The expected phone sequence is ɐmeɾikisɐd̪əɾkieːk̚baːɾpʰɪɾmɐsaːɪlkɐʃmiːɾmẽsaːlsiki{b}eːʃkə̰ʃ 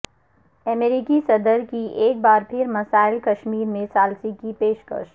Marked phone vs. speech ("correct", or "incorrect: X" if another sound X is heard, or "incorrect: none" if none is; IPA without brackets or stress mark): incorrect: p